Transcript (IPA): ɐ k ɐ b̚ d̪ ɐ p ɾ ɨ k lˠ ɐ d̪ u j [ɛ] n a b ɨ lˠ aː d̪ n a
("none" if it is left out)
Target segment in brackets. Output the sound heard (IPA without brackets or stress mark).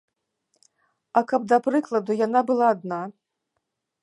a